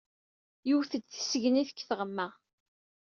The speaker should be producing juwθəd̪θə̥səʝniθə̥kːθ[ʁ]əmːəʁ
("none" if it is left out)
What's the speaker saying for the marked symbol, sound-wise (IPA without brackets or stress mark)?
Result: ʁ